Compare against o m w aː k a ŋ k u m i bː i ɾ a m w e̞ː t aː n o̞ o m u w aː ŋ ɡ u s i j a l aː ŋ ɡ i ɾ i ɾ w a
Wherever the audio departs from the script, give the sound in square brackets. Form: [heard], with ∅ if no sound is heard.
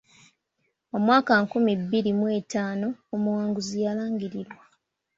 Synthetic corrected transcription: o m w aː k a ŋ k u m i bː i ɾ [i] m w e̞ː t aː n o̞ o m u w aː ŋ ɡ u [z] i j a l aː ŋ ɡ i ɾ i ɾ w a